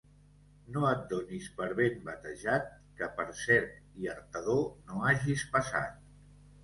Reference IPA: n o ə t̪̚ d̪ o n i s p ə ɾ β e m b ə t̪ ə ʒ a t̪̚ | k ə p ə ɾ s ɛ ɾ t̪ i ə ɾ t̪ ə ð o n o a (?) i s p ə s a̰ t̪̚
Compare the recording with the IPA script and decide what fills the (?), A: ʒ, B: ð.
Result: A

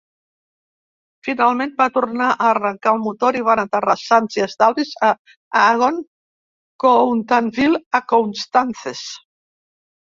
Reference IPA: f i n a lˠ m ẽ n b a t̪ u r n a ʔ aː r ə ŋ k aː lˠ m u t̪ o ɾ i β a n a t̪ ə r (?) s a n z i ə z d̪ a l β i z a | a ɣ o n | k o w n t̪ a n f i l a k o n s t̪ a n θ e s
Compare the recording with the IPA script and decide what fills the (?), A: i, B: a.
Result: B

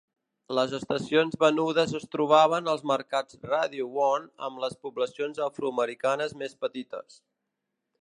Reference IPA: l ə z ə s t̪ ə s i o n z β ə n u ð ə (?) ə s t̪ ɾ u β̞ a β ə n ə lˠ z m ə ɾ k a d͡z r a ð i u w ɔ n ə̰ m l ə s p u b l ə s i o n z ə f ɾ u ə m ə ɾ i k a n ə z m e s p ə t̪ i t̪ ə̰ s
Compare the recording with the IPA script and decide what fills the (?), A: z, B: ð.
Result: A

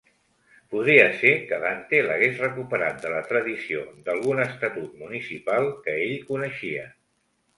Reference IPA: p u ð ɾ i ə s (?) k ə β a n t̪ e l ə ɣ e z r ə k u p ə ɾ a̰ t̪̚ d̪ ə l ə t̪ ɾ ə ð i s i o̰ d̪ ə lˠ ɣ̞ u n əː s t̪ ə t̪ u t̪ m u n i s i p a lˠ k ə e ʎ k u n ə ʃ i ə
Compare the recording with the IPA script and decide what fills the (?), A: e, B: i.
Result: A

